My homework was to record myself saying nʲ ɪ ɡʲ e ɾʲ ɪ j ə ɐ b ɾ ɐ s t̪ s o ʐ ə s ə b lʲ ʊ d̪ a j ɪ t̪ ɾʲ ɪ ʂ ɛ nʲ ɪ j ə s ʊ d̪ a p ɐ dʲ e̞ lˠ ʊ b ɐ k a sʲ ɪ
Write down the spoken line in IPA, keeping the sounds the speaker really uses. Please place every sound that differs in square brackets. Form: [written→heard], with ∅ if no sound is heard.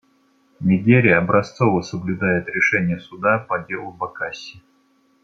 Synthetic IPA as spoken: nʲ ɪ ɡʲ e ɾʲ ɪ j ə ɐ b ɾ ɐ s t̪ s o [ʐ→v] ə s ə b lʲ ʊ d̪ a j ɪ t̪ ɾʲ ɪ ʂ ɛ nʲ ɪ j ə s ʊ d̪ a p ɐ dʲ e̞ lˠ ʊ b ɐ k a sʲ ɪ